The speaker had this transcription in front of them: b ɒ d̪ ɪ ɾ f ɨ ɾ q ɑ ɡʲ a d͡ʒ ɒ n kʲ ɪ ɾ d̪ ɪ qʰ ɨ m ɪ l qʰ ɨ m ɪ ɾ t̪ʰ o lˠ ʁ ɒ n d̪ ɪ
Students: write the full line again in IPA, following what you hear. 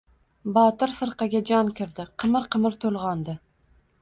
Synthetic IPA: b ɒ t̪ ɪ ɾ f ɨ ɾ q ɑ ɡʲ a d͡ʒ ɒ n kʲ ɪ ɾ d̪ ɪ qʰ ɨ m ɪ ɾ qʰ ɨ m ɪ ɾ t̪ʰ o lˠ ʁ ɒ n d̪ ɪ